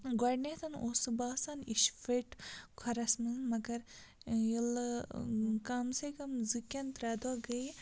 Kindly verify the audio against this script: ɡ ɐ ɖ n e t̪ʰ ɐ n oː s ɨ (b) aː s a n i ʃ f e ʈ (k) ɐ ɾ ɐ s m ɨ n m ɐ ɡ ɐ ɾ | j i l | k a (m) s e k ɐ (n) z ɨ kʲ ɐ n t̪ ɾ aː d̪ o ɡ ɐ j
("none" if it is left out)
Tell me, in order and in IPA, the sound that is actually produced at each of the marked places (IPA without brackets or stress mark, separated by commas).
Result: b, kʰ, m, m